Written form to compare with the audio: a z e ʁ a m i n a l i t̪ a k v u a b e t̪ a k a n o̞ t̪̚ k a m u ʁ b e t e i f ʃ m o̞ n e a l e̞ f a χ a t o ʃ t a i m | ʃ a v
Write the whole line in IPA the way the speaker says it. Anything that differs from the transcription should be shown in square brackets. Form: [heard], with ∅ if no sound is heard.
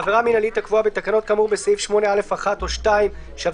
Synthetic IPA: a [v] e ʁ a m i n a l i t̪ a k v u a b e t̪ a k a n o̞ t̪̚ k a m u ʁ b e [s] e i f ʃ m o̞ n e a l e̞ f a χ a t o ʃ t a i m | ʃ a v